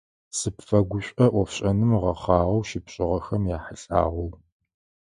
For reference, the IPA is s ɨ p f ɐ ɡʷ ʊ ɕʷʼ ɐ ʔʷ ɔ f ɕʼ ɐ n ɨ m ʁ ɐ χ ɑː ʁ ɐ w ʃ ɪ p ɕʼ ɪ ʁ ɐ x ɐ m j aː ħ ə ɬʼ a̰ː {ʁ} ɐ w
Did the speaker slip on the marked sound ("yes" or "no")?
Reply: no